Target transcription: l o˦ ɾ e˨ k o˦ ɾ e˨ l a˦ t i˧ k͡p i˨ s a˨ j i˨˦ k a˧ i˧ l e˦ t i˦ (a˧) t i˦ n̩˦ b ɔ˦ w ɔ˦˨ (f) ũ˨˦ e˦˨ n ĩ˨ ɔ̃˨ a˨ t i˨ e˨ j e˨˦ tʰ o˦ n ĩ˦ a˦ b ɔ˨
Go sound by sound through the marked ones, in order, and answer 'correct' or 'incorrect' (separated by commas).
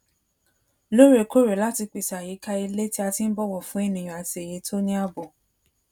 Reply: correct, correct